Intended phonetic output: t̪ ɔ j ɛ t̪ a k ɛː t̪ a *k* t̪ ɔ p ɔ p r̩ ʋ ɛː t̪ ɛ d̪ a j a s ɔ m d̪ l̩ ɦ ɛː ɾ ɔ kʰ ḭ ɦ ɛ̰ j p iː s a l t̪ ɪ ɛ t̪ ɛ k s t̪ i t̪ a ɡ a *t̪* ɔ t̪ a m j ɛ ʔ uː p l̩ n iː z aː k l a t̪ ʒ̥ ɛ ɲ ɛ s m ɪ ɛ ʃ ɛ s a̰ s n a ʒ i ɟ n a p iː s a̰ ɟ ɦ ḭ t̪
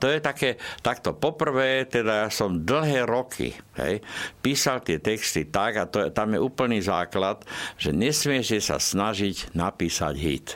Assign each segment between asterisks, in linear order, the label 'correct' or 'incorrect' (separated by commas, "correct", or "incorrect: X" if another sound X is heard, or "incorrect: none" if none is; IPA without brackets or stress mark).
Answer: correct, correct